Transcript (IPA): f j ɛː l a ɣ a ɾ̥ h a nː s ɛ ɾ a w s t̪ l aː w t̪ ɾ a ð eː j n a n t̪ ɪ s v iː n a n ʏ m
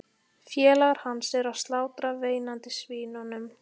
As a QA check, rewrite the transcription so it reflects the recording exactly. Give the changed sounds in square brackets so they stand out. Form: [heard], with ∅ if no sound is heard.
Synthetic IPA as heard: f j ɛː l a ɣ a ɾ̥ h a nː s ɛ ɾ a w s t̪ l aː w t̪ ɾ a [v] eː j n a n t̪ ɪ s v iː n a n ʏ m